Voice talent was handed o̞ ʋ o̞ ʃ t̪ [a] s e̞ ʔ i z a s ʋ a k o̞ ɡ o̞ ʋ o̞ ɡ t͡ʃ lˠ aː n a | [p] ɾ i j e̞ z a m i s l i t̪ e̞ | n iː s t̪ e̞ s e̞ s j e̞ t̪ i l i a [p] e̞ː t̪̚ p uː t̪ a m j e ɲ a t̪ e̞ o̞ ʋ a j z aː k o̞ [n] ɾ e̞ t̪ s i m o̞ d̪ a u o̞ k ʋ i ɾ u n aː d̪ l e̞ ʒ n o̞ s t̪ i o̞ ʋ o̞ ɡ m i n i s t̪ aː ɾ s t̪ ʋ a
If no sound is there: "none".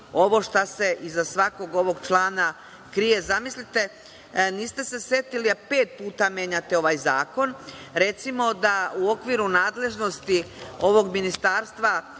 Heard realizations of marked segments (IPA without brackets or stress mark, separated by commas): a, k, p, n